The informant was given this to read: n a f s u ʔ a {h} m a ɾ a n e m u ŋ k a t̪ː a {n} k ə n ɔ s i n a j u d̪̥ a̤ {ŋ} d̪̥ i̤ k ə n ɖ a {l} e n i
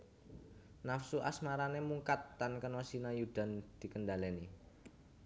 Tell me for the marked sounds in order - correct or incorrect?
incorrect, correct, incorrect, correct

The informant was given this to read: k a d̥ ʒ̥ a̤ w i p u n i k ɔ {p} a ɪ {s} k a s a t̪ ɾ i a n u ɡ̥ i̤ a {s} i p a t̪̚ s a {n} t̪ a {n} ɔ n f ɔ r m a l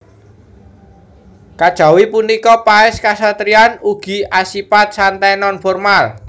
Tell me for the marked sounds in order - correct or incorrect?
correct, correct, correct, correct, correct

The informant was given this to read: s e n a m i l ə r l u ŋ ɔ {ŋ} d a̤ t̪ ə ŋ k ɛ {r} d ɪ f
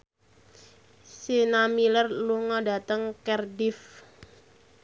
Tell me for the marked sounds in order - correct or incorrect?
incorrect, correct

